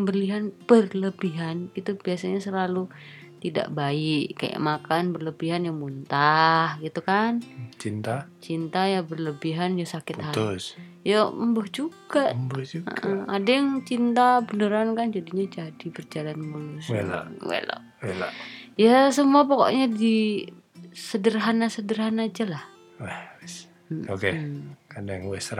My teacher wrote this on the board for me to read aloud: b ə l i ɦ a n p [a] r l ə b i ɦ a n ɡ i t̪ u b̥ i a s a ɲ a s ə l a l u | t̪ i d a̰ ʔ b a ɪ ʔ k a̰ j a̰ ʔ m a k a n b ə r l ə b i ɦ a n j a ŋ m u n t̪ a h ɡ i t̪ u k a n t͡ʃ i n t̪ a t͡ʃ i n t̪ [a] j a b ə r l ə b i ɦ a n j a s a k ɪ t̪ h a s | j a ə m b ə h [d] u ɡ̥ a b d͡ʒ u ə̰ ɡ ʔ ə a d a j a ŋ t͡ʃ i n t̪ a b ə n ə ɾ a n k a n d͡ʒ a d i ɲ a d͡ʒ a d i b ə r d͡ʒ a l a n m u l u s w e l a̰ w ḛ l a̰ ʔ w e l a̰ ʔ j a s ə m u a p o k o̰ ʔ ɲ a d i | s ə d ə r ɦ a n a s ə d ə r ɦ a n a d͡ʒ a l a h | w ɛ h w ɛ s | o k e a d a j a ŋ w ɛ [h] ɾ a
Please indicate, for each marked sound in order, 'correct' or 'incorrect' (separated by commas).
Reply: incorrect, correct, incorrect, incorrect